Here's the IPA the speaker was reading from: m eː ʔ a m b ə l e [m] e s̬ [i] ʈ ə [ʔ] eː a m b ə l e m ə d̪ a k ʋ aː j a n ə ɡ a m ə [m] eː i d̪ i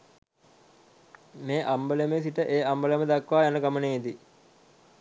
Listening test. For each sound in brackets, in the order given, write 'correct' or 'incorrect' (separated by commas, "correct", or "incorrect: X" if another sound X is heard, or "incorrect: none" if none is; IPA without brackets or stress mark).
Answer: correct, correct, correct, incorrect: n